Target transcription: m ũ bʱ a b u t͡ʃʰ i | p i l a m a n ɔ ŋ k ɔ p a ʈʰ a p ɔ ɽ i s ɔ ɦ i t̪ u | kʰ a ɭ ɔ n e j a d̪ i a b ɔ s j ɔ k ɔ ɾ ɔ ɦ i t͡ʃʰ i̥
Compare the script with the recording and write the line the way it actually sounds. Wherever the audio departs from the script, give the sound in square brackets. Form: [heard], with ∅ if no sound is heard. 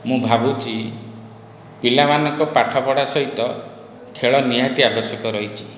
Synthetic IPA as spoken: m ũ bʱ a b u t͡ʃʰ i | p i l a m a n ɔ ŋ k ɔ p a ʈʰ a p ɔ ɽ [a] s ɔ ɦ i t̪ [ɔ] | kʰ [e] ɭ ɔ n [i] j a [t̪] i a b ɔ s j ɔ k ɔ ɾ ɔ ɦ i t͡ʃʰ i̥